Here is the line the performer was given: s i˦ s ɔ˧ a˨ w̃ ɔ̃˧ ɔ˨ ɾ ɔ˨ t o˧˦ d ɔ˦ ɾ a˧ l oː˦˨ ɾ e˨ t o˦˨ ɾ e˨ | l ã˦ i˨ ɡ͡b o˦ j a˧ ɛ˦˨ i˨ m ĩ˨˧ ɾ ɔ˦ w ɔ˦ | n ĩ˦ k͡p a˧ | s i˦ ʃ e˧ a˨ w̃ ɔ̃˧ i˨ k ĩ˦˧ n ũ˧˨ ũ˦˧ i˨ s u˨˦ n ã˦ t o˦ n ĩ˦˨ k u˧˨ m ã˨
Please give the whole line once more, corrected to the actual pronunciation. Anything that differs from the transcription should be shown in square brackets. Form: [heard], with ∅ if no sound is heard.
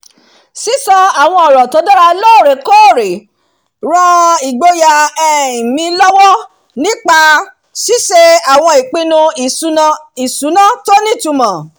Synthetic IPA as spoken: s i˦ s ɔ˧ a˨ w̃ ɔ̃˧ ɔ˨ ɾ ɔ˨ t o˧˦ d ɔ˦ ɾ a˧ l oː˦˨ ɾ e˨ [k] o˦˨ ɾ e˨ | [ɾ] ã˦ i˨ ɡ͡b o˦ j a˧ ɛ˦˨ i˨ m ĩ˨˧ [l] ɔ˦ w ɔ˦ | n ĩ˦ k͡p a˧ | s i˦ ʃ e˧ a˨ w̃ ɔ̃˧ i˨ [k͡p] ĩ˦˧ n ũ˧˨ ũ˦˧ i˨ s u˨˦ n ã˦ t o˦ n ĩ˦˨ [t] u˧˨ m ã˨

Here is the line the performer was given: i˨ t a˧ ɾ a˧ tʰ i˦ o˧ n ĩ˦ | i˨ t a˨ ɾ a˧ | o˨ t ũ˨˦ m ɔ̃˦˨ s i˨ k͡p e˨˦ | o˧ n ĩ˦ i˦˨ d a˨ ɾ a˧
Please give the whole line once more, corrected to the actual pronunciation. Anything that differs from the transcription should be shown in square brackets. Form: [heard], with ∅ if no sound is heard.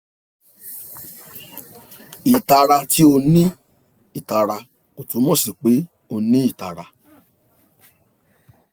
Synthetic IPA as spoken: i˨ t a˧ ɾ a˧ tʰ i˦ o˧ n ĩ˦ | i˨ t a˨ ɾ a˧ | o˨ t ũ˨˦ m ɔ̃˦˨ s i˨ k͡p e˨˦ | o˧ n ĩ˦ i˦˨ [t] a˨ ɾ a˧

